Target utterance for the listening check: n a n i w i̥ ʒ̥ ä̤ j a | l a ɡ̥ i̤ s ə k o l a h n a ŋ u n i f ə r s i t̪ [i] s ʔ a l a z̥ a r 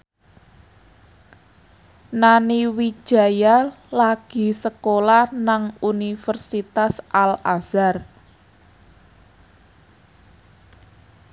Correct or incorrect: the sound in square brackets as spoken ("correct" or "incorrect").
incorrect